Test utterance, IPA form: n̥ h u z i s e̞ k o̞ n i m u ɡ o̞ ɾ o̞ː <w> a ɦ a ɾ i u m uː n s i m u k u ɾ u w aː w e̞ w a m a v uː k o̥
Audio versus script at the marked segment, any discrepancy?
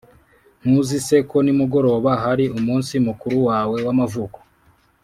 yes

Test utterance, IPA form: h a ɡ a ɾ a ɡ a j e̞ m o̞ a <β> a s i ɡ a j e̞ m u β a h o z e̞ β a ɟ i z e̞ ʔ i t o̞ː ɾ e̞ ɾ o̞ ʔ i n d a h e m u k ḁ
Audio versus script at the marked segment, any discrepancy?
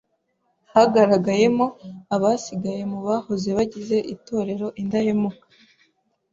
no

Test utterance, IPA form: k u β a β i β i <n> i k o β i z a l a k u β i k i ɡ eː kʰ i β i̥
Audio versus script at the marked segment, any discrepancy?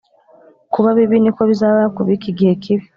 no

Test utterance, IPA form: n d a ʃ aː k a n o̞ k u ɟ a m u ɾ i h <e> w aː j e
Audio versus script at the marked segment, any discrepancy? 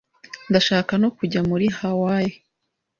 yes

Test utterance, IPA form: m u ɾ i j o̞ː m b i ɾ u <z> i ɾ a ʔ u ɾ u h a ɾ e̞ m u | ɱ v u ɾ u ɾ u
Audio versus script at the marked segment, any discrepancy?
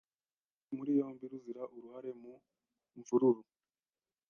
no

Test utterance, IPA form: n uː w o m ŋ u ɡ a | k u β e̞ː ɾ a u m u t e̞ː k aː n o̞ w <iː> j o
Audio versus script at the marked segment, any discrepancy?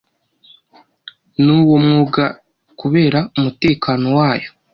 yes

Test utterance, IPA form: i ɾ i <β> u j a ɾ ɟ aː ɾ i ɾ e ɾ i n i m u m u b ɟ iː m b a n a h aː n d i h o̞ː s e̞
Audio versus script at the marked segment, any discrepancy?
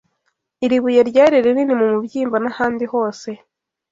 no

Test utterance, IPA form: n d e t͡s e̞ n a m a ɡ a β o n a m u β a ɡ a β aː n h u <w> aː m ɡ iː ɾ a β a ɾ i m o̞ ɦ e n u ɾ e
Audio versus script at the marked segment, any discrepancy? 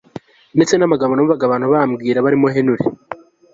yes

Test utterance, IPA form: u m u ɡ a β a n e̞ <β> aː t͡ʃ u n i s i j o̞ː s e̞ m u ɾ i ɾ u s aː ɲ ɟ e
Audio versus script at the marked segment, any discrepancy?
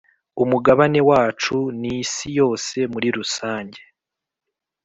yes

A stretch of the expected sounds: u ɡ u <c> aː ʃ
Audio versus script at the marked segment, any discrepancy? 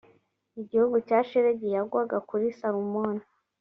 no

